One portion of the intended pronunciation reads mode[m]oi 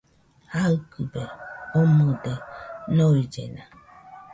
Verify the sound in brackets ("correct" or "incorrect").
incorrect